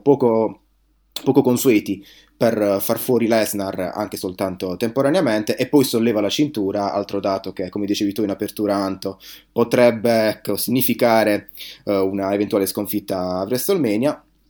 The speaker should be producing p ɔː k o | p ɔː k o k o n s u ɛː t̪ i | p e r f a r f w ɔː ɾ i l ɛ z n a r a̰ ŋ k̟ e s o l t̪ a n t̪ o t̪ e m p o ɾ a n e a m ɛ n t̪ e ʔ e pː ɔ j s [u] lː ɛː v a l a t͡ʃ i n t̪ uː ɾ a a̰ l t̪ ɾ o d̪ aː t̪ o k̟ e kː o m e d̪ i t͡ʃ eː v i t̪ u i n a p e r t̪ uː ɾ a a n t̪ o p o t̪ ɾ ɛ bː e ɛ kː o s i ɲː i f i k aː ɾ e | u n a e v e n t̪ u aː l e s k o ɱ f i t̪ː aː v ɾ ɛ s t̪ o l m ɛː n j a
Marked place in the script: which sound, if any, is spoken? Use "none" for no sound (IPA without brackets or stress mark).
o